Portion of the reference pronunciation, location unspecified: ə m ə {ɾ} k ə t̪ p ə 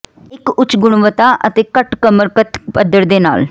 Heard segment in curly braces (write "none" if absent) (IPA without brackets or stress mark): ɾ